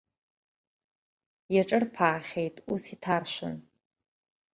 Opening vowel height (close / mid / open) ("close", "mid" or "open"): open